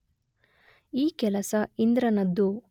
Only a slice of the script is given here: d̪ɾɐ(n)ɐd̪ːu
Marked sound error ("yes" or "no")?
no